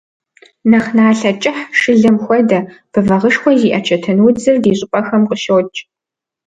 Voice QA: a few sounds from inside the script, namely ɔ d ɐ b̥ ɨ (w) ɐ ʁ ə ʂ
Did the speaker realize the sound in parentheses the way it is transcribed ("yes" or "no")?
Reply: no